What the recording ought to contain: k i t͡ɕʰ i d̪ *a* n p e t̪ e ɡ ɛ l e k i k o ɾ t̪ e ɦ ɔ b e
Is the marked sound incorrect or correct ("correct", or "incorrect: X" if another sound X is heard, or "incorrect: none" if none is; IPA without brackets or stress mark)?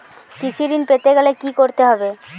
incorrect: i